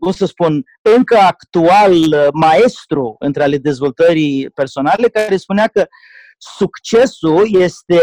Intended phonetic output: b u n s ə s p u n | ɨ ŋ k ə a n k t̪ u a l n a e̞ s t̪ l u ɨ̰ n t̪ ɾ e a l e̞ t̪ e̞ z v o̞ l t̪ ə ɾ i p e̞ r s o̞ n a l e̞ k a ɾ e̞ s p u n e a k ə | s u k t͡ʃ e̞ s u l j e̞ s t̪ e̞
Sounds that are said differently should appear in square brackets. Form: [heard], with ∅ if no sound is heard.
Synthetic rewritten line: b u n s ə s p u n | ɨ ŋ k ə a [∅] k t̪ u a l [m] a e̞ s t̪ [ɾ] u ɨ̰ n t̪ ɾ e a l e̞ [d̪] e̞ z v o̞ l t̪ ə ɾ i p e̞ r s o̞ n a l e̞ k a ɾ e̞ s p u n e a k ə | s u k t͡ʃ e̞ s u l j e̞ s t̪ e̞